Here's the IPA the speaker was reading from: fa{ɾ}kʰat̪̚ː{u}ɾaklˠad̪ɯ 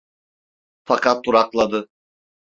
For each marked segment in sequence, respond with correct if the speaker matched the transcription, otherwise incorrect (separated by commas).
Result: incorrect, correct